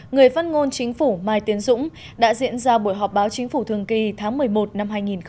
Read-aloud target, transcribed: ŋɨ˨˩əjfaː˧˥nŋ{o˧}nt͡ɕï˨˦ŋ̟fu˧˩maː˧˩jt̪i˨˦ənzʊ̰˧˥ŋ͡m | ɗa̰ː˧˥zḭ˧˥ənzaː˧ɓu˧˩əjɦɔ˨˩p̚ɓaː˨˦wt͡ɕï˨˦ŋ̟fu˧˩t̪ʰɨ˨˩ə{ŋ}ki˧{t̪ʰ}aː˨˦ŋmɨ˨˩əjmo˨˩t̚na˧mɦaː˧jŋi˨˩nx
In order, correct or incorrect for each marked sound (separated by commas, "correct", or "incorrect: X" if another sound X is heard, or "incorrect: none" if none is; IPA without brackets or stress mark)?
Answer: correct, correct, correct